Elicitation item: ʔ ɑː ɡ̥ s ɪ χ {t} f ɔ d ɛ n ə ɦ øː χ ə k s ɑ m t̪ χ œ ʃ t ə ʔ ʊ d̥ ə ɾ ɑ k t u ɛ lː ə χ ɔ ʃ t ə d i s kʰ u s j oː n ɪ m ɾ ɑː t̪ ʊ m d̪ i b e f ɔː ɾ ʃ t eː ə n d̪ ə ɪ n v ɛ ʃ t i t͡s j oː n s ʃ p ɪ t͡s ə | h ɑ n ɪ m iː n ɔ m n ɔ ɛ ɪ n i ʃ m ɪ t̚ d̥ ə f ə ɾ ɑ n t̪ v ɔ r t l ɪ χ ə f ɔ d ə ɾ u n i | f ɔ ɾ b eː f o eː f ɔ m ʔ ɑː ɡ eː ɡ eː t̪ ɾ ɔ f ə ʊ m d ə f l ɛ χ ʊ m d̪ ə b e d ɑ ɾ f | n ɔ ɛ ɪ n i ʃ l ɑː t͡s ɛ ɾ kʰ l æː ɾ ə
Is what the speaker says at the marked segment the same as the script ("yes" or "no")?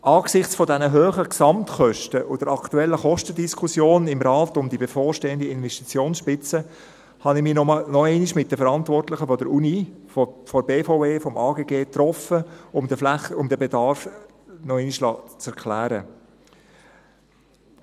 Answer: no